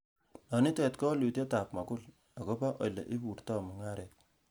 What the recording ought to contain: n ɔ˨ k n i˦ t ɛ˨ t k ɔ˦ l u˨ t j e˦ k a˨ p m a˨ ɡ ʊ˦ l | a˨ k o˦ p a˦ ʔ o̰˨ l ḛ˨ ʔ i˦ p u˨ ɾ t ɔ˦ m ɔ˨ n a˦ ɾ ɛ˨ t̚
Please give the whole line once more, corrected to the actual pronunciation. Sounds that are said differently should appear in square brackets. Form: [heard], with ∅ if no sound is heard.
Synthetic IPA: n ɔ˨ [∅] n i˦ t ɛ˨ t k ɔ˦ l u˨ t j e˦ [t] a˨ p m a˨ [k] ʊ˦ l | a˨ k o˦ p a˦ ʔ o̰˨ l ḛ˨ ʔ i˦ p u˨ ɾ t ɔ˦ m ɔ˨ [ŋ] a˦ ɾ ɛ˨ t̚